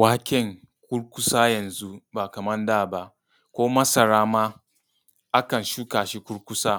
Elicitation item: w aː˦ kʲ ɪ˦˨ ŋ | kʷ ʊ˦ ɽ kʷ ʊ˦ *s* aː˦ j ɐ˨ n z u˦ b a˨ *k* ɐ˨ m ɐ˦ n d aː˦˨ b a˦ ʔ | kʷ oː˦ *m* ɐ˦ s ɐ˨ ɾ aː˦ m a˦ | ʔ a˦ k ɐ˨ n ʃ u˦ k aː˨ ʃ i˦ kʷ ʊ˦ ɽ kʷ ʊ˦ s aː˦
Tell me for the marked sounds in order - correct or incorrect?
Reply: correct, correct, correct

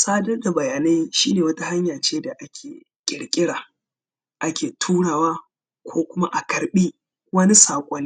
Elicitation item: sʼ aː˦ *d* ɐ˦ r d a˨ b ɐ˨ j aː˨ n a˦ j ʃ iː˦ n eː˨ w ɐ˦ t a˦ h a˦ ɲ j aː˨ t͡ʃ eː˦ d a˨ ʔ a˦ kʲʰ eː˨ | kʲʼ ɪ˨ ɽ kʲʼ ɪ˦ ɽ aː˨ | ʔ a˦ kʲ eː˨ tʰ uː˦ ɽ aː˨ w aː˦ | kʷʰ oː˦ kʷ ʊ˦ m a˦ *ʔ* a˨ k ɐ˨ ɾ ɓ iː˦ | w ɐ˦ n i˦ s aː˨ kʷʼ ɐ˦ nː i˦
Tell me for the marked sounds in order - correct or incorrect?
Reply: correct, correct

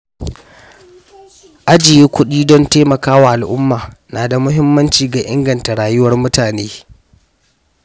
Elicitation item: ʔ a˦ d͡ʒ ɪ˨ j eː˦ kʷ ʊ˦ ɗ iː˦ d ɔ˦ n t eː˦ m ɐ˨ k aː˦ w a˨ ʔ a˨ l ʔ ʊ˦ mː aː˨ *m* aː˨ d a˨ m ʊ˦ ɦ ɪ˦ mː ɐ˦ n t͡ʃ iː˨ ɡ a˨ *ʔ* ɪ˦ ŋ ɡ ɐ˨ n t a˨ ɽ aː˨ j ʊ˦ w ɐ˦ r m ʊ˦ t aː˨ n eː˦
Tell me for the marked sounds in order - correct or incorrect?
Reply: incorrect: n, correct

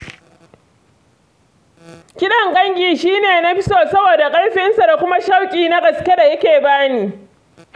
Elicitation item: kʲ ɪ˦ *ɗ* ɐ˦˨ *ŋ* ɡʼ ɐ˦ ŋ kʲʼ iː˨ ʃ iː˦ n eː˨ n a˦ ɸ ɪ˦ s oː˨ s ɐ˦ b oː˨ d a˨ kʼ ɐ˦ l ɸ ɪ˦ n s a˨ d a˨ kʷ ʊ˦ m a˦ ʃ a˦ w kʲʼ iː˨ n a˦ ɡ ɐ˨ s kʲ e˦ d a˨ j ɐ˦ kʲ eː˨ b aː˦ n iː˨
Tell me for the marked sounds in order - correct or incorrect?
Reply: correct, correct

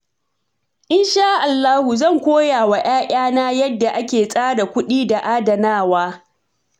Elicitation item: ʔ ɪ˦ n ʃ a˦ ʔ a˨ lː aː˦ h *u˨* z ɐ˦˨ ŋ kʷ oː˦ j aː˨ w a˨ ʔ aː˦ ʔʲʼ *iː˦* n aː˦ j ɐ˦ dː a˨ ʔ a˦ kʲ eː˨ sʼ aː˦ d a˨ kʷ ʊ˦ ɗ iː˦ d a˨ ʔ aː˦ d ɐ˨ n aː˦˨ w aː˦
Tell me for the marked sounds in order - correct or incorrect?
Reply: correct, incorrect: aː˦

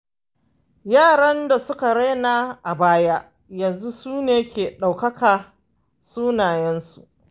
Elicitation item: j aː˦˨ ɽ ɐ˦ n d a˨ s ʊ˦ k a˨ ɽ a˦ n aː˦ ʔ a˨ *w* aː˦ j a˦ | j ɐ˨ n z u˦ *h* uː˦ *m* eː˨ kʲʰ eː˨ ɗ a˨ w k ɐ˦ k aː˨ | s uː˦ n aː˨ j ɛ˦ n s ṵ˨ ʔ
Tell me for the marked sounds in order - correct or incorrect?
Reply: incorrect: b, incorrect: s, incorrect: n

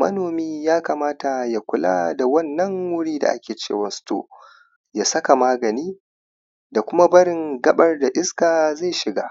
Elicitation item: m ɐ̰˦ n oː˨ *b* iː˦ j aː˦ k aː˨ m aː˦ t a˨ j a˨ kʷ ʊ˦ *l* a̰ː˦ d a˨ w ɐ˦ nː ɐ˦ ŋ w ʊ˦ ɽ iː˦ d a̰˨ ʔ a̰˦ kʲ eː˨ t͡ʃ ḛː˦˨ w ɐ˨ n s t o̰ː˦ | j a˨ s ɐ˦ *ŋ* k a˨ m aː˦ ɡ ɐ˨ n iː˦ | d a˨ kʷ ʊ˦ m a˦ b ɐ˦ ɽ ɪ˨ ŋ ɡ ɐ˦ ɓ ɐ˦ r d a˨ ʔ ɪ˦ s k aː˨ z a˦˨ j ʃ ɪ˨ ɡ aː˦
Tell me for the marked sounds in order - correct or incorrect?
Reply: incorrect: m, correct, incorrect: none

